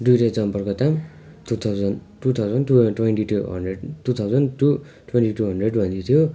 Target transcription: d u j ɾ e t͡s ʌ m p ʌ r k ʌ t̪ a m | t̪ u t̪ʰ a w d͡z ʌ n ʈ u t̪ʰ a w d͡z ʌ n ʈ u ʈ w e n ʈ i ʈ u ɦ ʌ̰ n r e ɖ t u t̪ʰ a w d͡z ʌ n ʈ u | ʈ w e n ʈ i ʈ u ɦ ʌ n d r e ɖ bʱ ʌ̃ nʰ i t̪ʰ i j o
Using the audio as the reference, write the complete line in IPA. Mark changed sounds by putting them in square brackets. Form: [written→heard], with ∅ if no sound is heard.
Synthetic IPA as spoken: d u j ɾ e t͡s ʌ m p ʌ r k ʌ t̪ a m | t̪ u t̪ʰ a w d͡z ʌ n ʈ u t̪ʰ a w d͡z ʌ n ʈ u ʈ w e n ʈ i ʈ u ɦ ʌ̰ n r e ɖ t u t̪ʰ a w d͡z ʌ n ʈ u | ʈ w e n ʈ i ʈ u ɦ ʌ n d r e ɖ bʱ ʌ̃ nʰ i t̪ʰ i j o